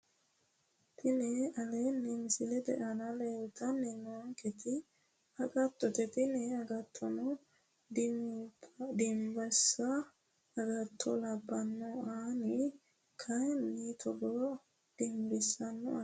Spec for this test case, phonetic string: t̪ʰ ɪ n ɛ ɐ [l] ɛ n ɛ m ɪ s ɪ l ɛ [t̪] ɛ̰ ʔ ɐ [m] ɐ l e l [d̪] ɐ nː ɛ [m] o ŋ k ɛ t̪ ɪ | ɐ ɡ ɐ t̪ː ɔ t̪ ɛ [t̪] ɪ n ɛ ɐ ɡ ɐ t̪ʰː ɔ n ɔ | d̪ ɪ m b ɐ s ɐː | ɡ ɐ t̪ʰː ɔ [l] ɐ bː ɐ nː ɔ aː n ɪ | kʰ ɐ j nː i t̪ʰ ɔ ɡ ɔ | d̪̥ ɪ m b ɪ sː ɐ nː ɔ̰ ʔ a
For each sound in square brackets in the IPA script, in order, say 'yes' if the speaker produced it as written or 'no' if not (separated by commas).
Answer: yes, no, no, no, no, yes, yes